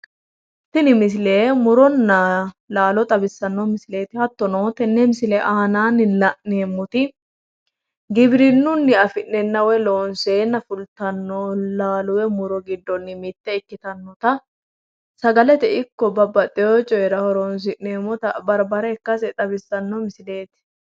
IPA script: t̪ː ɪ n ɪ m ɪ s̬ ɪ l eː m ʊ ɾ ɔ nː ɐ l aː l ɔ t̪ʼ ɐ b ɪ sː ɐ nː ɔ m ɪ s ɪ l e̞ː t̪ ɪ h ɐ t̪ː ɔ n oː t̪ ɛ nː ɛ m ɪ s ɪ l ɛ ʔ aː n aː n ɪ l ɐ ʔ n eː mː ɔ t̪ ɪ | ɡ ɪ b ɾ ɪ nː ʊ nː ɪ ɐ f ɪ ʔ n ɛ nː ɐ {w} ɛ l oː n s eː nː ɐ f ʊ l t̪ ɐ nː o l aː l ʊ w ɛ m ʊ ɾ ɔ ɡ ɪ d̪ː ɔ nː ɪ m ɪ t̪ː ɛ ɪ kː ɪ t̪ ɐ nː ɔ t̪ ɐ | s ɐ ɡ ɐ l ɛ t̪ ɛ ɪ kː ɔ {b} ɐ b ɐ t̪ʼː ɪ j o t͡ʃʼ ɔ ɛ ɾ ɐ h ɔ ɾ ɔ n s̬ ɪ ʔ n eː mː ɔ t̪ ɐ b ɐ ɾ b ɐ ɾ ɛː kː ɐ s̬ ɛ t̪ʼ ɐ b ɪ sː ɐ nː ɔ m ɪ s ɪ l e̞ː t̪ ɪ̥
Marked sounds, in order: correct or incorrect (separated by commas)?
correct, correct